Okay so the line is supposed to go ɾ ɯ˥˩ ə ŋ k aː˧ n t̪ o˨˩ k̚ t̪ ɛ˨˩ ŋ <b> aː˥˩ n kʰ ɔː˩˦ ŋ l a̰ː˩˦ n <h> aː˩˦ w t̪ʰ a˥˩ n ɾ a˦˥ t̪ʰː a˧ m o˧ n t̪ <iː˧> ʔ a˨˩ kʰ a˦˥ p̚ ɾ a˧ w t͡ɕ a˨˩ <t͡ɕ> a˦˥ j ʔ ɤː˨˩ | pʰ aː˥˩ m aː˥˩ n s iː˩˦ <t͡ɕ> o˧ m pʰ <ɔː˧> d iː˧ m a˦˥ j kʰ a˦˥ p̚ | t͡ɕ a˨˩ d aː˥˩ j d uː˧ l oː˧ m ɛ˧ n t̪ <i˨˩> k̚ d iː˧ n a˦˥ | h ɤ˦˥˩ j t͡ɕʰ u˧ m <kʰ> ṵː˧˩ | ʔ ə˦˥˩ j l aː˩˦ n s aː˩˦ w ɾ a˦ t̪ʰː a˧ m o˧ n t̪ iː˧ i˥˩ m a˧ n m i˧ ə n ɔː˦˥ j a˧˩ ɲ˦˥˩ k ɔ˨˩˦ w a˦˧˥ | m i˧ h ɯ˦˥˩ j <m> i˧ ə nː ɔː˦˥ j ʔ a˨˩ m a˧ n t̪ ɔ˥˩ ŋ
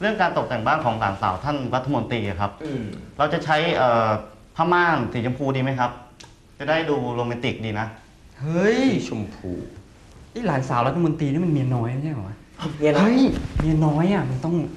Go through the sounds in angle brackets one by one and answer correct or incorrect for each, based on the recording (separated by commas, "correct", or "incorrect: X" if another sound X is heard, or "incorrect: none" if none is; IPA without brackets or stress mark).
correct, incorrect: s, correct, incorrect: t͡ɕʰ, correct, incorrect: uː˧, correct, incorrect: pʰ, correct